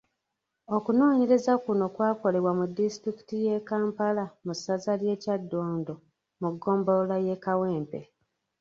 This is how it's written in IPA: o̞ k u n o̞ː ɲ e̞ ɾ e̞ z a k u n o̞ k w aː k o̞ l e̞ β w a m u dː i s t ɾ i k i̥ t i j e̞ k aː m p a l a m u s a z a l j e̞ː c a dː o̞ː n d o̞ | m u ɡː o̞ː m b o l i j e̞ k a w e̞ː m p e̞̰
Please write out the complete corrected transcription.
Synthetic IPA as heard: o̞ k u n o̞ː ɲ e̞ ɾ e̞ z a k u n o̞ k w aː k o̞ l e̞ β w a m u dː i s t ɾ i k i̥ t i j e̞ k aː m p a l a m u s a z a l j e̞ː c a dː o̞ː n d o̞ | m u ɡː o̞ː m b o l a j e̞ k a w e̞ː m p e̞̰